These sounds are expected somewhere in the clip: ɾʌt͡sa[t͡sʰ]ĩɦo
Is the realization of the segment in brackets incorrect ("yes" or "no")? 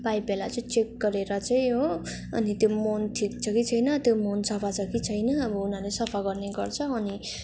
yes